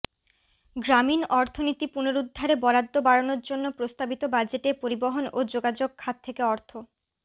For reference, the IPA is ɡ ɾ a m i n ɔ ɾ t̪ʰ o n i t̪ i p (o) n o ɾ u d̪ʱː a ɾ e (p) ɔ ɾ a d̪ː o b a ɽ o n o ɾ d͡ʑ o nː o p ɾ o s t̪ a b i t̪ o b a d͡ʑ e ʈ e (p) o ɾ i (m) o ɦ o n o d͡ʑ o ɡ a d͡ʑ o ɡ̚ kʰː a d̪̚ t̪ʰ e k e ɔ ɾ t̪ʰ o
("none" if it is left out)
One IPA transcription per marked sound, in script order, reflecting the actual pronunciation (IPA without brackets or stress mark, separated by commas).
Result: u, b, p, b